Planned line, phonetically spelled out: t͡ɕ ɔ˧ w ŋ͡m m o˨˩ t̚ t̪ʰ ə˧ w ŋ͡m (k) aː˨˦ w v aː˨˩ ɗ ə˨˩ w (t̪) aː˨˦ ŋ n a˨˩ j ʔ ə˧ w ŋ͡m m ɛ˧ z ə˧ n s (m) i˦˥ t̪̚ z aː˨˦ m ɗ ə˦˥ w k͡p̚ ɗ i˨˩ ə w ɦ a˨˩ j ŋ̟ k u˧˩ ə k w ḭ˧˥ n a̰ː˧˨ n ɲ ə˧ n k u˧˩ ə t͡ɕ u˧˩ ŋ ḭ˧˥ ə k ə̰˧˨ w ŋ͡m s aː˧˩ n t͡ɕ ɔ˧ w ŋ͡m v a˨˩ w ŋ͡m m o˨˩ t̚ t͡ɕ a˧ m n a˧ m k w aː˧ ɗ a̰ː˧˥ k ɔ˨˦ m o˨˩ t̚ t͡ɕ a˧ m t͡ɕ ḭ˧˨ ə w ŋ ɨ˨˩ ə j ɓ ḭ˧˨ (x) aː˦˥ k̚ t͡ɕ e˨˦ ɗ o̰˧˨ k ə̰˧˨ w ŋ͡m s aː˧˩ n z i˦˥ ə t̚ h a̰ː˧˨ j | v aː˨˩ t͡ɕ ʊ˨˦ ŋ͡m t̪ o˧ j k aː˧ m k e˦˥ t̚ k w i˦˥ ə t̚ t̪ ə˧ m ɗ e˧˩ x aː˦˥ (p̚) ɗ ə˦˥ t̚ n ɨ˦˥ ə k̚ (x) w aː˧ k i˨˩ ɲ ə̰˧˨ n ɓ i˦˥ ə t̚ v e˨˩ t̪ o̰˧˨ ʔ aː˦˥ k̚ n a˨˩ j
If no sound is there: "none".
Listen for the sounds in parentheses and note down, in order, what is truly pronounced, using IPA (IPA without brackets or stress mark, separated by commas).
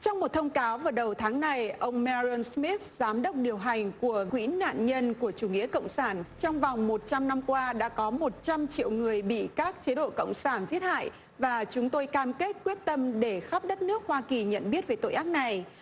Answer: k, t̪ʰ, m, k, p̚, h